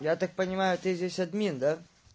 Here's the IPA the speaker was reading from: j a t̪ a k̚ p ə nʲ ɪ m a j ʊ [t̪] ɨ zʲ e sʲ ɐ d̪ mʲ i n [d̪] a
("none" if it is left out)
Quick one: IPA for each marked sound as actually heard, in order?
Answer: t̪, d̪

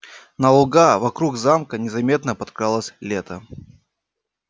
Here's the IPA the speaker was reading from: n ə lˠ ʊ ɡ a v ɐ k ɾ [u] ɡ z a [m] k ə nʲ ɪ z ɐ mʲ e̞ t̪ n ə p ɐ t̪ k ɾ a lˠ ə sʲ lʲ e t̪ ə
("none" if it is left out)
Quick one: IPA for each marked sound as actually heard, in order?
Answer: u, m

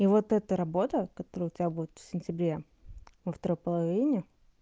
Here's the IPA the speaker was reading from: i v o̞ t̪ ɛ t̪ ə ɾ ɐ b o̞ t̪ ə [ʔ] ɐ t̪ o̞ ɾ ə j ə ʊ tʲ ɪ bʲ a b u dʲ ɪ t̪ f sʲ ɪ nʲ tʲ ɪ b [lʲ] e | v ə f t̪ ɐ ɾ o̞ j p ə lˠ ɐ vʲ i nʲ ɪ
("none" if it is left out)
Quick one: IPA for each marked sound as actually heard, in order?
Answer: k, ɾʲ

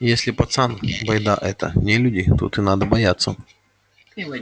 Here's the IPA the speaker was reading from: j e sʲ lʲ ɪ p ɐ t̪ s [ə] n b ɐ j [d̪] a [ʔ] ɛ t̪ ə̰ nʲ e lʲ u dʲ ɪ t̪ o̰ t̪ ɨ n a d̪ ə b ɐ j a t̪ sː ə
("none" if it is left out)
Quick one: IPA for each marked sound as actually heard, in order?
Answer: a, d̪, ʔ

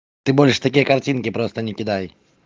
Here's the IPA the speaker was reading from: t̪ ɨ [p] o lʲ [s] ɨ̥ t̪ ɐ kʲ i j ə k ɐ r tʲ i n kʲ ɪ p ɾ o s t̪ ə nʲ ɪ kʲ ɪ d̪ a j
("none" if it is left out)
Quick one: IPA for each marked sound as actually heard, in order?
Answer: b, ʂ

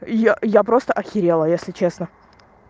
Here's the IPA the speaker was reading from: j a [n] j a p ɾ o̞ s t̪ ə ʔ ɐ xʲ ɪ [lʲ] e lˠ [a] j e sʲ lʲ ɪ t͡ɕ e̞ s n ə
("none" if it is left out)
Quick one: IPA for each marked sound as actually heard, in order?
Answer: none, ɾʲ, ə

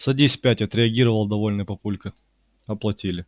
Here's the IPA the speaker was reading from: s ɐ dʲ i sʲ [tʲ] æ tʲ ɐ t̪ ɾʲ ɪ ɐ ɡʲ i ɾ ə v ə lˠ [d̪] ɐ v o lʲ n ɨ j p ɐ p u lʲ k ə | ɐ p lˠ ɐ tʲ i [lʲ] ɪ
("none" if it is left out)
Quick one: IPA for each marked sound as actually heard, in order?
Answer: pʲ, d̪, lʲ

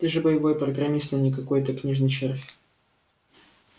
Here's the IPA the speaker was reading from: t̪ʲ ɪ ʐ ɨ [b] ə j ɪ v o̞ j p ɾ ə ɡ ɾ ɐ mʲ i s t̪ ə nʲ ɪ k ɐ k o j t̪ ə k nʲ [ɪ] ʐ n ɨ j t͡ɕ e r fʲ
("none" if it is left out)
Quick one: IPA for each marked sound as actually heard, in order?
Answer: b, i

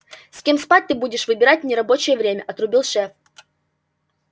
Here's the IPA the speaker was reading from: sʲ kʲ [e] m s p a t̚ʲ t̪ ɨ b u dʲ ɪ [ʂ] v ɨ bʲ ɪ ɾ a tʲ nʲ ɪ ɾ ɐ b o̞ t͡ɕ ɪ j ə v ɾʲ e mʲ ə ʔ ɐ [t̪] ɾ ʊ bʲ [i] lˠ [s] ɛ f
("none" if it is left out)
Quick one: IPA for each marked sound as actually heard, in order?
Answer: e, ʂ, t̪, i, ʂ

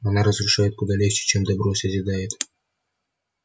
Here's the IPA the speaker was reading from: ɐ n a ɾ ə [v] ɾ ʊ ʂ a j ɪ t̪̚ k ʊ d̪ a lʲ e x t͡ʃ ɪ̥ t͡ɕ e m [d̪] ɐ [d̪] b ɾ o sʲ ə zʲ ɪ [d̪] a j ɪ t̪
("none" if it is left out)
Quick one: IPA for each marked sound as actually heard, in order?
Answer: z, d̪, none, d̪

